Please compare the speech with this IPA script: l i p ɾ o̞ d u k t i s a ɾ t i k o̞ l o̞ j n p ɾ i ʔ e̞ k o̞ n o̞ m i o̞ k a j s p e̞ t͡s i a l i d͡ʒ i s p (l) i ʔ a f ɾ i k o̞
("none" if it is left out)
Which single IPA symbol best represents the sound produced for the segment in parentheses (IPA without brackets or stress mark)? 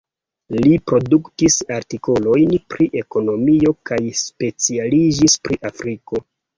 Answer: ɾ